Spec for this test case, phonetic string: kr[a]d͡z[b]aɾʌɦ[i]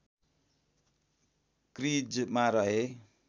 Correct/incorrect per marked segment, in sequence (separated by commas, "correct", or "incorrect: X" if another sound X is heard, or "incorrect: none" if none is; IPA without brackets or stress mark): incorrect: i, incorrect: m, incorrect: e